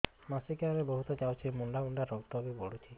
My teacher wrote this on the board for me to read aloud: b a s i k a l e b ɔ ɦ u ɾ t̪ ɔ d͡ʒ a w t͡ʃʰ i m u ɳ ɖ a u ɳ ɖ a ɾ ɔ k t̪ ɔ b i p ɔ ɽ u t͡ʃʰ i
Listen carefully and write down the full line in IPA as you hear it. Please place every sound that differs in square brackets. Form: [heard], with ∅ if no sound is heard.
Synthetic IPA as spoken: [m] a s i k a [ɾ] e b ɔ ɦ u [∅] t̪ ɔ d͡ʒ a w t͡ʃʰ i m u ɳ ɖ a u ɳ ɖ a ɾ ɔ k t̪ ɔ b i [b] ɔ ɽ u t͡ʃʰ i